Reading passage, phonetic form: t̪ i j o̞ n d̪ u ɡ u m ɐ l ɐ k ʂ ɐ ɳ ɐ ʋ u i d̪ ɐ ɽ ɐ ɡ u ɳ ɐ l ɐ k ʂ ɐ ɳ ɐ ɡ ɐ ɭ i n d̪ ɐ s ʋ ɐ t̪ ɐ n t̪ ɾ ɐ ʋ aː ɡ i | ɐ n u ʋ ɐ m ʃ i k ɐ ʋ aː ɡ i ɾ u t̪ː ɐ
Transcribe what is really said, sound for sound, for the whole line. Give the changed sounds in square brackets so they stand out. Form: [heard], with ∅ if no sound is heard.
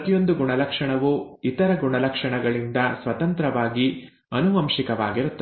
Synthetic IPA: t̪ i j o̞ n d̪ u ɡ u [ɳ] ɐ l ɐ k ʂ ɐ ɳ ɐ ʋ u i [t̪] ɐ [ɾ] ɐ ɡ u ɳ ɐ l ɐ k ʂ ɐ ɳ ɐ ɡ ɐ ɭ i n d̪ ɐ s ʋ ɐ t̪ ɐ n t̪ ɾ ɐ ʋ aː ɡ i | ɐ n u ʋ ɐ m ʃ i k ɐ ʋ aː ɡ i ɾ u t̪ː ɐ